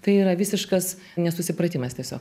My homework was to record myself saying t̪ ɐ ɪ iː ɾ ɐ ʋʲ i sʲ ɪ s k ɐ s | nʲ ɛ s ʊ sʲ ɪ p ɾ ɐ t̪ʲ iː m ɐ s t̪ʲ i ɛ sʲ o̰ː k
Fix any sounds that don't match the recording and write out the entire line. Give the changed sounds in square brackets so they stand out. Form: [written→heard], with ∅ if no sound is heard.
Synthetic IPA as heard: t̪ ɐ ɪ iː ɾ ɐ ʋʲ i sʲ ɪ [s→ʃ] k ɐ s | nʲ ɛ s ʊ sʲ ɪ p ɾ ɐ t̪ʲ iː m ɐ s t̪ʲ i ɛ sʲ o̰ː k